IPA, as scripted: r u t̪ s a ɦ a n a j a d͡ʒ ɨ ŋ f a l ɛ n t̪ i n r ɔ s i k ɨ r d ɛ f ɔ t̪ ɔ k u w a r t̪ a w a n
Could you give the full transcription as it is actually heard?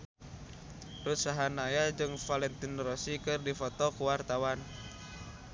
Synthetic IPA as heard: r u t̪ s a ɦ a n a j a d͡ʒ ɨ ŋ f a l ɛ n t̪ i n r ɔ s i k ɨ r d i f ɔ t̪ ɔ k u w a r t̪ a w a n